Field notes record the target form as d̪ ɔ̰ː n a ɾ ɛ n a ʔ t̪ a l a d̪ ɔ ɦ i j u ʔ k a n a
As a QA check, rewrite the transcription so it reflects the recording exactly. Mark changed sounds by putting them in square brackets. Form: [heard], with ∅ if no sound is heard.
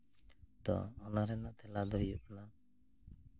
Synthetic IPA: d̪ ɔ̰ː n a ɾ ɛ n a ʔ t̪ [ɛ] l a d̪ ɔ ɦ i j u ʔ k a n a

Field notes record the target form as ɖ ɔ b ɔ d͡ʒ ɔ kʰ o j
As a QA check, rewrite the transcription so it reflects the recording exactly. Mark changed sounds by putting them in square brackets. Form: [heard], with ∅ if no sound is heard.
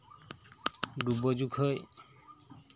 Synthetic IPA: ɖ [u] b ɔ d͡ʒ [u] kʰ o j

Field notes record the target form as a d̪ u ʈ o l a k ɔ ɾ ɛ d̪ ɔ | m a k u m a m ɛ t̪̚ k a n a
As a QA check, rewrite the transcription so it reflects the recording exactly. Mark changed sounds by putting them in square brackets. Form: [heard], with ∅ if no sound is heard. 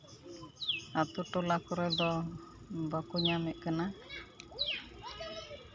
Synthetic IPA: a [t̪] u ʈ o l a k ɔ ɾ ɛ d̪ ɔ | [b] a k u [ɲ] a m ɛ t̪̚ k a n a

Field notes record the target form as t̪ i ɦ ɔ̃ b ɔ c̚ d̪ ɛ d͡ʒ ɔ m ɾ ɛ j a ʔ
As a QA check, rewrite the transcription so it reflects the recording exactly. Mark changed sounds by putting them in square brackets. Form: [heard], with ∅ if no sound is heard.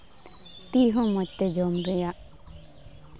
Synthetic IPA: t̪ i ɦ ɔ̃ [m] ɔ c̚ [t̪] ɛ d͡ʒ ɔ m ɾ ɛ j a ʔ

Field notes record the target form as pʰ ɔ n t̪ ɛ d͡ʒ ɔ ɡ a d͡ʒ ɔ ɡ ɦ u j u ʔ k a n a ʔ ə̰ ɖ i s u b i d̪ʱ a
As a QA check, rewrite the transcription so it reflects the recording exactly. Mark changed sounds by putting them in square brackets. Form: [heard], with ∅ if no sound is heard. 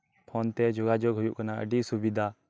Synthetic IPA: pʰ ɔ n t̪ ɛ d͡ʒ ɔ ɡ a d͡ʒ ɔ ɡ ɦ u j u ʔ k a n a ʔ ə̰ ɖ i s u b i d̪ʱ a

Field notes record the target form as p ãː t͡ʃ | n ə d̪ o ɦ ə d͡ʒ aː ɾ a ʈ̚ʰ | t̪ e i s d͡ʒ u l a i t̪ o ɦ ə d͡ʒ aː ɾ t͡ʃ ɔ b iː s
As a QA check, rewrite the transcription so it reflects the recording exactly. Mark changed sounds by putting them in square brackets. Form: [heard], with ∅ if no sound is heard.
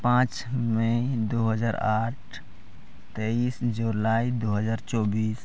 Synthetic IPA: p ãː t͡ʃ | [m] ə d̪ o ɦ ə d͡ʒ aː ɾ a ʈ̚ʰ | t̪ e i s d͡ʒ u l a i [d̪] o ɦ ə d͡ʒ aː ɾ t͡ʃ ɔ b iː s

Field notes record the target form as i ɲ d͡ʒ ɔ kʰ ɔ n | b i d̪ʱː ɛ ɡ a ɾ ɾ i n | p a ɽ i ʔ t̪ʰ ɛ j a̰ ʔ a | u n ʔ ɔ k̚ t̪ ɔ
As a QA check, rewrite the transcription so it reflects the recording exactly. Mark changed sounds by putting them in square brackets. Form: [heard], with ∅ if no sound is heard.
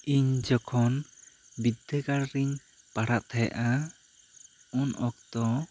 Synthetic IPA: i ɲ d͡ʒ ɔ kʰ ɔ n | b i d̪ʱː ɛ ɡ a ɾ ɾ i [ɲ] | p a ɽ [a] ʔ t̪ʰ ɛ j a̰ ʔ a | u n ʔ ɔ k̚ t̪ ɔ

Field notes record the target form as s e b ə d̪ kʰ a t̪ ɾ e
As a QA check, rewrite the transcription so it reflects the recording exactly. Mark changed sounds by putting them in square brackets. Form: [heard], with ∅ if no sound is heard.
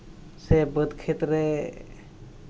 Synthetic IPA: s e b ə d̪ kʰ [e] t̪ ɾ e

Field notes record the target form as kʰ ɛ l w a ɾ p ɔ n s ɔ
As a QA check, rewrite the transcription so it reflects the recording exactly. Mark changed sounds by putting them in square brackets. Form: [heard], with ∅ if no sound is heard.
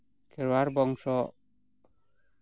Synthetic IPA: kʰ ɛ [ɾ] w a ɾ [b] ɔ [ŋ] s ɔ

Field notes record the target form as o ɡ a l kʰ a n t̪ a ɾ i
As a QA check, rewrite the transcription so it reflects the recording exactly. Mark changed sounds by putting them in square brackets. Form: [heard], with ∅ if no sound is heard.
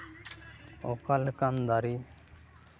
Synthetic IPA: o [k] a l [k] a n [d̪] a ɾ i

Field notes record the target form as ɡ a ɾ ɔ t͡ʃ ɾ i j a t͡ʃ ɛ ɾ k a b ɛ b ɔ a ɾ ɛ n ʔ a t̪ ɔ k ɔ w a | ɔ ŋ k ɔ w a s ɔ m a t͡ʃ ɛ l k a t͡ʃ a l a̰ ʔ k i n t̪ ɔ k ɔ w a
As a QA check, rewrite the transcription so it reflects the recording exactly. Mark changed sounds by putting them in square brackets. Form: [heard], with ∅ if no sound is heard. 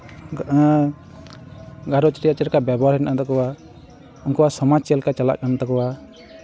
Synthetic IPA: ɡ a ɾ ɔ t͡ʃ ɾ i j a t͡ʃ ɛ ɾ k a b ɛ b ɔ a ɾ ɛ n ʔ a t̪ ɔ k ɔ w a | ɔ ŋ k ɔ w a s ɔ m a t͡ʃ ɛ l k a t͡ʃ a l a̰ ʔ k [a] n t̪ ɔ k ɔ w a

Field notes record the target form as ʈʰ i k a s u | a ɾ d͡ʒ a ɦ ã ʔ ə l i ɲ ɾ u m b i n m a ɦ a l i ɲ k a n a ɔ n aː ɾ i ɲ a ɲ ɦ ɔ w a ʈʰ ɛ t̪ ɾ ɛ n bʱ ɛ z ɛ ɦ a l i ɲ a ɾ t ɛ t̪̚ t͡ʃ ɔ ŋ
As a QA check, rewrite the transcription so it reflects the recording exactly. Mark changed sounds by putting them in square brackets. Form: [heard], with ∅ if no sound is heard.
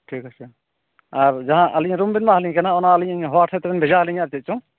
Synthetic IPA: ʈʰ i k a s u | a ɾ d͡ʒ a ɦ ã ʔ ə l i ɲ ɾ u m b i n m a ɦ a l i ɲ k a n a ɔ n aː [l] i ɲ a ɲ ɦ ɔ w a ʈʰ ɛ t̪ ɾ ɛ n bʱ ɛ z [a] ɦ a l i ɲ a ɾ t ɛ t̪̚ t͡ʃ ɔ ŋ

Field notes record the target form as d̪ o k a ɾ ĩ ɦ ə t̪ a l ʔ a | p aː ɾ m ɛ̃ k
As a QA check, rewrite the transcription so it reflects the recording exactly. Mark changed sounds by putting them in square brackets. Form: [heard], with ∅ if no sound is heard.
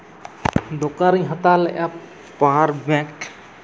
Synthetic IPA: d̪ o k a ɾ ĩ ɦ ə t̪ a l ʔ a | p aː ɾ [b] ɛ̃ k

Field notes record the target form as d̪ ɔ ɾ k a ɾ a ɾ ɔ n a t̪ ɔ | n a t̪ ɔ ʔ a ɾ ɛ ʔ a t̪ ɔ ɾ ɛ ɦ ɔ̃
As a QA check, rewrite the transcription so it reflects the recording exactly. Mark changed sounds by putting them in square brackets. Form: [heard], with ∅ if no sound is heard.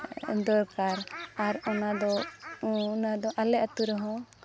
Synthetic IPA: d̪ ɔ ɾ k a ɾ a ɾ ɔ n a [d̪] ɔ | n a [d̪] ɔ ʔ a [l] ɛ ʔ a t̪ [u] ɾ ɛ ɦ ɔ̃

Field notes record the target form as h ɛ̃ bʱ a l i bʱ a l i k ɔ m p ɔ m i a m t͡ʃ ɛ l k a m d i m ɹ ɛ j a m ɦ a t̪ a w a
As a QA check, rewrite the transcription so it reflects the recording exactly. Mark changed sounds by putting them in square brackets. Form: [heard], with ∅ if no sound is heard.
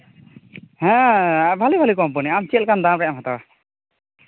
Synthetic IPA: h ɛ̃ bʱ a l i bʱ a l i k ɔ m p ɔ [n] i a m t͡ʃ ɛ l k a [n] d [a] m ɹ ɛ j a m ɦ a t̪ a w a

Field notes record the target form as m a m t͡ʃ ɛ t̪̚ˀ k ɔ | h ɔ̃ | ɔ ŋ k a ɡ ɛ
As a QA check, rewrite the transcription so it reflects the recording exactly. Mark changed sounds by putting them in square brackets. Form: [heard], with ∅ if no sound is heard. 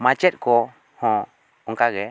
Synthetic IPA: m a [∅] t͡ʃ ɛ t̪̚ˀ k ɔ | h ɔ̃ | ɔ ŋ k a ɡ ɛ

